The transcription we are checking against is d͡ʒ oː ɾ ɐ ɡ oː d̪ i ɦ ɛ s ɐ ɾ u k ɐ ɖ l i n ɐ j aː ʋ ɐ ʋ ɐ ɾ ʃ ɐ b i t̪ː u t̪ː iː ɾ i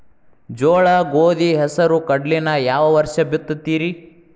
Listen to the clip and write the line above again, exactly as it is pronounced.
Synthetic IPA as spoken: d͡ʒ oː ɭ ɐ ɡ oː d̪ i ɦ ɛ s ɐ ɾ u k ɐ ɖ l i n ɐ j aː ʋ ɐ ʋ ɐ ɾ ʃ ɐ b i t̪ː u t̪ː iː ɾ i

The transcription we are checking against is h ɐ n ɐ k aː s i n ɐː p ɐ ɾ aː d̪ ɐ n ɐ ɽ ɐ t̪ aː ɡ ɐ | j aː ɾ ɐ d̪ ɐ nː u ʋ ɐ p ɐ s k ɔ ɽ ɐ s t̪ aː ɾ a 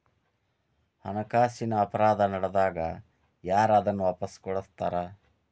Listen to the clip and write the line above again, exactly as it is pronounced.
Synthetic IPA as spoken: h ɐ n ɐ k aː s i n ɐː p ɐ ɾ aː d̪ ɐ n ɐ ɽ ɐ d̪ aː ɡ ɐ | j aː ɾ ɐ d̪ ɐ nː u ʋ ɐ p ɐ s k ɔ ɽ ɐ s t̪ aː ɾ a

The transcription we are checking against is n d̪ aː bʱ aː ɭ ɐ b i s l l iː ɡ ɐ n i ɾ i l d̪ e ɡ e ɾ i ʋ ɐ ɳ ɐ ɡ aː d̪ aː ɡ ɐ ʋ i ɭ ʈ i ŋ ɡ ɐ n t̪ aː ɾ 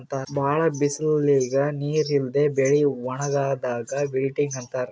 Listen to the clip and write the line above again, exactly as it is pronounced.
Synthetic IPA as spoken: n t̪ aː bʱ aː ɭ ɐ b i s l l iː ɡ ɐ n iː ɾ i l d̪ e b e ɭ i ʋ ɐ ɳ ɐ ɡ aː d̪ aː ɡ ɐ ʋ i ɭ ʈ i ŋ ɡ ɐ n t̪ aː ɾ

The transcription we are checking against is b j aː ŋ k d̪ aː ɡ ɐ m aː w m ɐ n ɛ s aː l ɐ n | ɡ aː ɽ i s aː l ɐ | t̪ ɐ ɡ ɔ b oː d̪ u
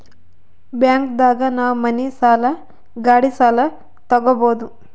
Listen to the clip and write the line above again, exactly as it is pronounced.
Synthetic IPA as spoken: b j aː ŋ k d̪ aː ɡ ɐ n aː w m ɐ n i s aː l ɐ | ɡ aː ɽ i s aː l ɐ | t̪ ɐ ɡ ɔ b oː d̪ u

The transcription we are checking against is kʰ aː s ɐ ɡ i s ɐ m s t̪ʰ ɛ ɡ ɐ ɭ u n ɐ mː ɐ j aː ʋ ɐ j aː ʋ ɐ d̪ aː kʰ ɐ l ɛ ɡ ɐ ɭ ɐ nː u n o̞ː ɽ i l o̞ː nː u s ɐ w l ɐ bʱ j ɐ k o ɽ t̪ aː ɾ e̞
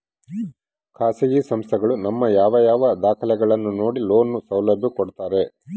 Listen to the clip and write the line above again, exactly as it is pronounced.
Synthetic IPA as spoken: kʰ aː s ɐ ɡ i s ɐ m s t̪ʰ ɛ ɡ ɐ ɭ u n ɐ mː ɐ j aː ʋ ɐ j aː ʋ ɐ d̪ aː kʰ ɐ l ɛ ɡ ɐ ɭ ɐ nː u n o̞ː ɽ i l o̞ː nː u s ɐ w l ɐ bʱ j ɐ k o ɽ t̪ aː ɾ e̞

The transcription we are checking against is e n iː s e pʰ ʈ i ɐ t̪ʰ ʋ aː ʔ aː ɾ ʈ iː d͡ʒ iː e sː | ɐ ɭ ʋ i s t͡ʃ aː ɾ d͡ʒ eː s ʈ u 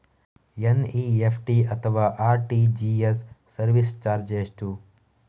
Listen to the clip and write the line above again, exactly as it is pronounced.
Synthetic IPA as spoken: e n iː e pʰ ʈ i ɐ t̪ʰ ʋ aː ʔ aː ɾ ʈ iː d͡ʒ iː e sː | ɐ ɾ ʋ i s t͡ʃ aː ɾ d͡ʒ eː s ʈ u

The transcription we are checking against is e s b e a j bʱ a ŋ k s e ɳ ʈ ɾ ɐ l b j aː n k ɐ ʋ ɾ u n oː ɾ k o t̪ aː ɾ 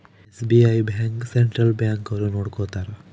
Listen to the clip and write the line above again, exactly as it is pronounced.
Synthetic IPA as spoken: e s b i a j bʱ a ŋ k s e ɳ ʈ ɾ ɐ l b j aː ŋ k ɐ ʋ ɾ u n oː ɽ k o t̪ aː ɾ

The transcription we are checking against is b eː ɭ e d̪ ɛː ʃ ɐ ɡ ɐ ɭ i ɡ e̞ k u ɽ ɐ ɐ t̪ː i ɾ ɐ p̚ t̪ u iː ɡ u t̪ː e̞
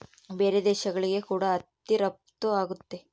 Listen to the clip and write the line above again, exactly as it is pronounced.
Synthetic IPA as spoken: b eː ɾ e d̪ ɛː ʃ ɐ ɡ ɐ ɭ i ɡ e̞ k uː ɽ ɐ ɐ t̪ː i ɾ ɐ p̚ t̪ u aː ɡ u t̪ː e̞

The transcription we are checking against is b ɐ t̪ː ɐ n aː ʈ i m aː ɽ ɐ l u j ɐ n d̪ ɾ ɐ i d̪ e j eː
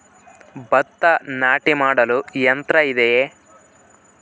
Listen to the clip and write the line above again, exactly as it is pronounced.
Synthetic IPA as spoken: b ɐ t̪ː ɐ n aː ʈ i m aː ɽ ɐ l u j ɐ n t̪ ɾ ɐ i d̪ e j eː

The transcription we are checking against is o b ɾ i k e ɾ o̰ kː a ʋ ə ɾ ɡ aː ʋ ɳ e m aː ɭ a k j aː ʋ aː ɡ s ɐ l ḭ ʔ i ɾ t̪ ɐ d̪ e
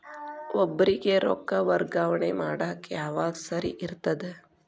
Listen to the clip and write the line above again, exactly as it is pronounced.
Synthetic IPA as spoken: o b ɾ i k e ɾ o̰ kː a ʋ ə ɾ ɡ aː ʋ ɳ e m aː ɽ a k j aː ʋ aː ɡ s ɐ ɾ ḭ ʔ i ɾ t̪ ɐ d̪ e

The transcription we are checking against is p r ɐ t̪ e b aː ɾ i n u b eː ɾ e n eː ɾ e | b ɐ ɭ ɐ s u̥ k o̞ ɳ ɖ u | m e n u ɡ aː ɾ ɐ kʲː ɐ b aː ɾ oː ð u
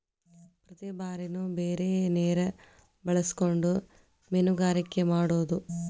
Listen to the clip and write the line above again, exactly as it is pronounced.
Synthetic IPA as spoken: p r ɐ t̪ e b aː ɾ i n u b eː ɾ e n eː ɾ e | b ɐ ɭ ɐ s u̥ k o̞ ɳ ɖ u | m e n u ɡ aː ɾ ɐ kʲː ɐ m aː ɽ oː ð u

